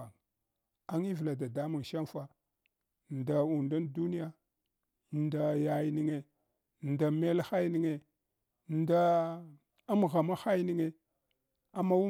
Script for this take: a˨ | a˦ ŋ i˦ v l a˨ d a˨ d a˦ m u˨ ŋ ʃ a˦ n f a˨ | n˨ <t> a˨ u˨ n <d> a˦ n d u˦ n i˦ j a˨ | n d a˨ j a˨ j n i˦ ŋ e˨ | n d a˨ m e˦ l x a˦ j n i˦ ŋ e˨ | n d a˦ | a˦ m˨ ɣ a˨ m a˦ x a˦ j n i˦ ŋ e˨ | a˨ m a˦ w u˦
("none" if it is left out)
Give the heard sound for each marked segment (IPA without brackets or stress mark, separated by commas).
d, d